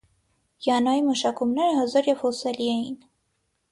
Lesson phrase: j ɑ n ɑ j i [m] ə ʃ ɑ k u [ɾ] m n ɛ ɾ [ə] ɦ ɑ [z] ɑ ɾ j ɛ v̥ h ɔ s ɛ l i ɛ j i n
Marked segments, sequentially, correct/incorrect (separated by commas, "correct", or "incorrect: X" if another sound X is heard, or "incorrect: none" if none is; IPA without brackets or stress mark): correct, incorrect: none, correct, correct